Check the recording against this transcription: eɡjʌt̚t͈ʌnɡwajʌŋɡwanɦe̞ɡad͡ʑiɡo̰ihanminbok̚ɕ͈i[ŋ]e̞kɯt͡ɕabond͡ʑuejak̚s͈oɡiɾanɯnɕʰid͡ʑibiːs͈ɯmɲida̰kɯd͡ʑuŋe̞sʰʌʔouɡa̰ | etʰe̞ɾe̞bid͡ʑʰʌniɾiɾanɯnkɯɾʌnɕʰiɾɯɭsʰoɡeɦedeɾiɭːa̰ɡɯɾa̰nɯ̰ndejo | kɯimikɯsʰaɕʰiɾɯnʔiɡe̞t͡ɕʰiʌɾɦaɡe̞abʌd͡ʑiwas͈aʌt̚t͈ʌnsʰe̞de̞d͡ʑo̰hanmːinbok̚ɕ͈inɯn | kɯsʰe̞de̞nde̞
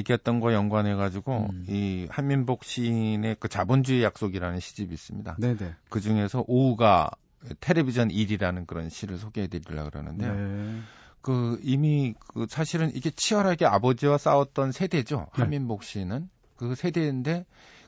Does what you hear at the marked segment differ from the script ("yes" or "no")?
yes